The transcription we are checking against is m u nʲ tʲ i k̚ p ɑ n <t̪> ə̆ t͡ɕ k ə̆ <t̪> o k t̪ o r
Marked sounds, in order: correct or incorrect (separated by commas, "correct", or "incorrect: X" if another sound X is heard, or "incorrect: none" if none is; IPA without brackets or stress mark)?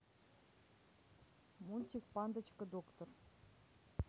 incorrect: d̪, incorrect: d̪